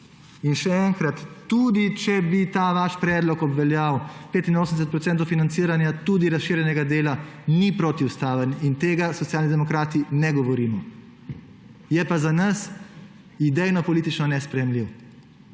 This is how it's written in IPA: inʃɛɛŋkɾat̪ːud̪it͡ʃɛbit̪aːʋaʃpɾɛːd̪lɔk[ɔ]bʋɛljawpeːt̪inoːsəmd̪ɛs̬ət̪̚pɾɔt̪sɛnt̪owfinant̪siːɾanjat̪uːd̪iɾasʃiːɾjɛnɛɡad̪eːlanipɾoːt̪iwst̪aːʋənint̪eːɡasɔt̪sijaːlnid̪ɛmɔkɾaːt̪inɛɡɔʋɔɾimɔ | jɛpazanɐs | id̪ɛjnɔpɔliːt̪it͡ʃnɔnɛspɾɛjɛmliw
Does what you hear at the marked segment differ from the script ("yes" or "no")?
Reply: no